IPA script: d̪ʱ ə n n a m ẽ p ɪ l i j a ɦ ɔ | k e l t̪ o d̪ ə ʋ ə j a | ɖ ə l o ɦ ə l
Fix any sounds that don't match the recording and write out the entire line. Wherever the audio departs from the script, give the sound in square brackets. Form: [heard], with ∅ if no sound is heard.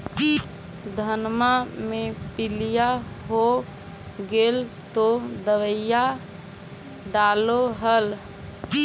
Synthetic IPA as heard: d̪ʱ ə n [m] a m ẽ p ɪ l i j a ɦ [o] | [ɡ] e l t̪ o d̪ ə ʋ ə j a | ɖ [a] l o ɦ ə l